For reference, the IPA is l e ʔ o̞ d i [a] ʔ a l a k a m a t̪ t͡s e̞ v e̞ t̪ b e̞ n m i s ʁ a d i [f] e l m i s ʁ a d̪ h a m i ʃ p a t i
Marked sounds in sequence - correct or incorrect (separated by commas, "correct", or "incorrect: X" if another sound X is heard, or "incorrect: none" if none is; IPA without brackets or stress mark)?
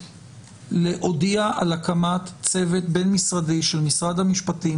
correct, incorrect: ʃ